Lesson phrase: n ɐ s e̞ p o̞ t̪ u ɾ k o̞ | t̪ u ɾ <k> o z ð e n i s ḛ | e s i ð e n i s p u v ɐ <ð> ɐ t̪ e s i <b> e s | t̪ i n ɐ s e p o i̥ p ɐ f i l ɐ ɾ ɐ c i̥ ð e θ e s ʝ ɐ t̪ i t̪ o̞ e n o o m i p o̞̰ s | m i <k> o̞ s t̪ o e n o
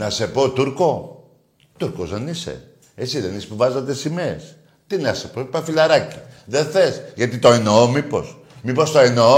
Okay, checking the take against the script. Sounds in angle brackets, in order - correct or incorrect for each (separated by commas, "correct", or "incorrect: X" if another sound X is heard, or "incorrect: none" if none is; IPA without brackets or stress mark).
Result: correct, incorrect: z, incorrect: m, incorrect: p